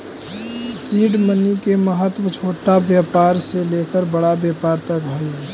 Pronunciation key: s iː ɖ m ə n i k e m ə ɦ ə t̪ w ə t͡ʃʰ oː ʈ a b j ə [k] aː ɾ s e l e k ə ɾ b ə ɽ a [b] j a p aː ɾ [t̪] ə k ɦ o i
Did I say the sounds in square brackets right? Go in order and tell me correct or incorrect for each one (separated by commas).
incorrect, correct, correct